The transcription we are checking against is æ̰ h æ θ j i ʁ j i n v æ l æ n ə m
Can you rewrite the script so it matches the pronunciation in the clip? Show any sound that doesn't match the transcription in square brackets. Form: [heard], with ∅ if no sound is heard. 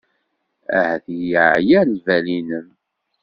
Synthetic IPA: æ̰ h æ θ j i [ʕ] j [æ] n v æ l [i] n ə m